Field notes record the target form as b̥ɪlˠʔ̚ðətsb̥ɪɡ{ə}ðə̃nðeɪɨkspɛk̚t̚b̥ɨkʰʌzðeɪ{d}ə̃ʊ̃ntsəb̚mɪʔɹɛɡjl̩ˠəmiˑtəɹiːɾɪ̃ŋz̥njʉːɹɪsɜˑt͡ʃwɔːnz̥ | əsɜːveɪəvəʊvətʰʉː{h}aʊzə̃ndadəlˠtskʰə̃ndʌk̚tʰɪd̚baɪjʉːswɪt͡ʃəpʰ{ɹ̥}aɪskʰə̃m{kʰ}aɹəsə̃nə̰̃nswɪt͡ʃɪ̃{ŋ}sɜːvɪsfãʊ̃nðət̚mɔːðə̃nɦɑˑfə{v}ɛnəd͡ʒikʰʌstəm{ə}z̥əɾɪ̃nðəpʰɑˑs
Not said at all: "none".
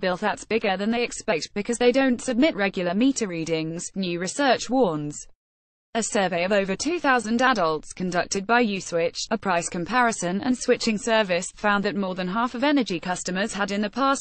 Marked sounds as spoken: ə, d, θ, ɹ̥, pʰ, ŋ, v, ə

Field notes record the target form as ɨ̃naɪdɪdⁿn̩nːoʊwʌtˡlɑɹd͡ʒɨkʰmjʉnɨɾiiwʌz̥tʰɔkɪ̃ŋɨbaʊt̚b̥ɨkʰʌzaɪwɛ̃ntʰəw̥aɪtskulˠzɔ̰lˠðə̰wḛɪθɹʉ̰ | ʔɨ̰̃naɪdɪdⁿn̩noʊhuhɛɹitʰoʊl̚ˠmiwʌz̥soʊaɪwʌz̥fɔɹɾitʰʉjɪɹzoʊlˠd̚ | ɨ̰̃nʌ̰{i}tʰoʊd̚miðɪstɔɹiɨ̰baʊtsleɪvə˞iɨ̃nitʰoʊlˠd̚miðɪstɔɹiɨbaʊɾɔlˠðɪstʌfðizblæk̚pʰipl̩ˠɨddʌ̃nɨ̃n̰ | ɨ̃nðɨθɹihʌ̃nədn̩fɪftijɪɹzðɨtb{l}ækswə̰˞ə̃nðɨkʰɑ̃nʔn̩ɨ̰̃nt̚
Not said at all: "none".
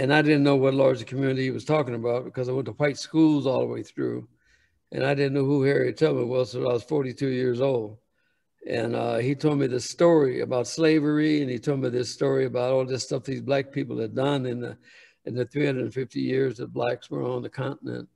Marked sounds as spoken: i, l

